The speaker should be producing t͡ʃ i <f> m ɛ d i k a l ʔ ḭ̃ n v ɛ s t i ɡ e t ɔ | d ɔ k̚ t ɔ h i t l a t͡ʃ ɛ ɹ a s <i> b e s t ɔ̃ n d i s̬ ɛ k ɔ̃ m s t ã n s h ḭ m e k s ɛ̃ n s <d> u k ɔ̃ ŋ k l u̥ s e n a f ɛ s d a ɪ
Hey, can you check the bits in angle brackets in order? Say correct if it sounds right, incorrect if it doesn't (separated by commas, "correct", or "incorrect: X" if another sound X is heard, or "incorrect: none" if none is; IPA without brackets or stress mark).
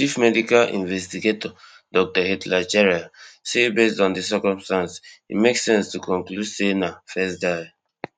correct, incorrect: e, incorrect: t